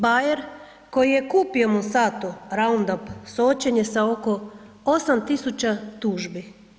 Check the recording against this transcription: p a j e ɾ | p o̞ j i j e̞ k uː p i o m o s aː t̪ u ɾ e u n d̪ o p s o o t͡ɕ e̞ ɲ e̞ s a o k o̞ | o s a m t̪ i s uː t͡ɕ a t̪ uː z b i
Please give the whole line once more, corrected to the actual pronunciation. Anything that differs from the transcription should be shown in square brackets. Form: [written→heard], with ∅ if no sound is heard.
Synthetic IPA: [p→b] a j e ɾ | [p→k] o̞ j i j e̞ k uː p i o m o s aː t̪ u ɾ [e→a] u n d̪ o p s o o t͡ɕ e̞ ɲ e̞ s a o k o̞ | o s a m t̪ i s [uː→u] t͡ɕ a t̪ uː [z→ʒ] b i